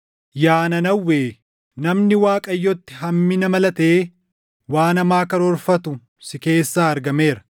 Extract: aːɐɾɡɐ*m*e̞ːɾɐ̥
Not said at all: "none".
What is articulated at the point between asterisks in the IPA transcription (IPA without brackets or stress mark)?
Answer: m